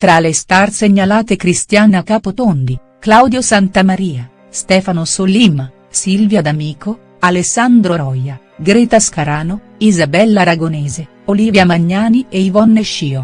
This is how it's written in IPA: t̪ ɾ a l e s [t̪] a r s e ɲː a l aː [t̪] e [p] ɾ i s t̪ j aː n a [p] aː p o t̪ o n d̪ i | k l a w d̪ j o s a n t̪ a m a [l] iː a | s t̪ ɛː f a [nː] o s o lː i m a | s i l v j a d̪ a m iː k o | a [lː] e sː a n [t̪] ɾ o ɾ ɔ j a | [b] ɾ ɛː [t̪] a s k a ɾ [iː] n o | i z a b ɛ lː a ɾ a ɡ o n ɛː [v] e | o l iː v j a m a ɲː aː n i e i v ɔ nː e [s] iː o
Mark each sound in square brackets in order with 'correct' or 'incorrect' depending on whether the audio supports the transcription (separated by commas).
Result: correct, correct, incorrect, incorrect, incorrect, incorrect, incorrect, incorrect, incorrect, correct, incorrect, incorrect, incorrect